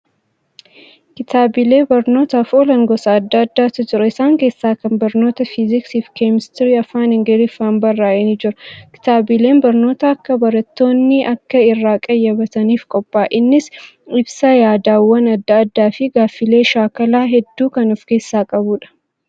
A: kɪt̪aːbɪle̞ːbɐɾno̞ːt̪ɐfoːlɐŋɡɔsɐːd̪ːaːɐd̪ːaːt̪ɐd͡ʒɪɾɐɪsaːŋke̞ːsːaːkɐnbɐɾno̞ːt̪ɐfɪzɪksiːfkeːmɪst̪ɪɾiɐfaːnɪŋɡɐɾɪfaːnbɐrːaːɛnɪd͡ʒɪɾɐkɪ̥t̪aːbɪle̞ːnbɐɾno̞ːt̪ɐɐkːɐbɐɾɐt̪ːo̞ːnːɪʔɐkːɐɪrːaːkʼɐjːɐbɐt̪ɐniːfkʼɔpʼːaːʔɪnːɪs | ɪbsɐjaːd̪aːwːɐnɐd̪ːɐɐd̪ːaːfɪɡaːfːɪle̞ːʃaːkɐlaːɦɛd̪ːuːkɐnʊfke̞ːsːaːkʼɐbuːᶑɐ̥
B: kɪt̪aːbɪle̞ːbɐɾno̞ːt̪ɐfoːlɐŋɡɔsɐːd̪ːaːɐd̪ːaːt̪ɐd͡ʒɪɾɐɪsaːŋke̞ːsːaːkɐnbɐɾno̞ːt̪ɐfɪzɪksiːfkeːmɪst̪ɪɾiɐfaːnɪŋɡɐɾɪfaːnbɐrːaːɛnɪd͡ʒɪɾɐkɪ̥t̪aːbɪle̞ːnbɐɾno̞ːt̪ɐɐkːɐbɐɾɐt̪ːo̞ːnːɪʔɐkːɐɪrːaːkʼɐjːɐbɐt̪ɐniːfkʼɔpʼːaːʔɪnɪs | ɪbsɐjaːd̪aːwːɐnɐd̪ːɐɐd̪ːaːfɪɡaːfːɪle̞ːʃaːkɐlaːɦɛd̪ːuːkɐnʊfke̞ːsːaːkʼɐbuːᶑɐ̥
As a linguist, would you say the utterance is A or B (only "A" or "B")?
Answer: A